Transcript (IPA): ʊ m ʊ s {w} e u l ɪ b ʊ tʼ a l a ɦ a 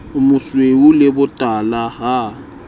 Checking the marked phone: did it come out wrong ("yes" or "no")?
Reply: no